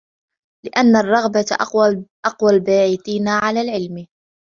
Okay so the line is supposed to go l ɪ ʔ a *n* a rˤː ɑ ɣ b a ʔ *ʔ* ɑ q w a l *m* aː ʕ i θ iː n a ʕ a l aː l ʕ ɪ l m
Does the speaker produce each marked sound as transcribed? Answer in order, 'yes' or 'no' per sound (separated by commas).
no, yes, no